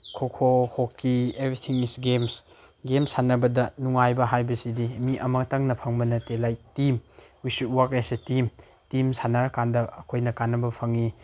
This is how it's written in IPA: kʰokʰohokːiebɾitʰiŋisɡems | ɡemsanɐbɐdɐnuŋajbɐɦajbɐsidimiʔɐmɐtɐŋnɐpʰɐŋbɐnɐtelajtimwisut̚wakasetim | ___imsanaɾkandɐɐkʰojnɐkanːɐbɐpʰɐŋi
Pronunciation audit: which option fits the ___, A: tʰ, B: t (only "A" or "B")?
B